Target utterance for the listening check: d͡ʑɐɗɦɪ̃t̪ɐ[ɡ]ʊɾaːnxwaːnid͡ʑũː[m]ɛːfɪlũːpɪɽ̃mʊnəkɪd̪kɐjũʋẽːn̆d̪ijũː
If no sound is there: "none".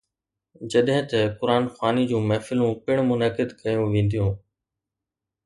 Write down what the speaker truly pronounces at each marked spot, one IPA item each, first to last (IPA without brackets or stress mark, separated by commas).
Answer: k, m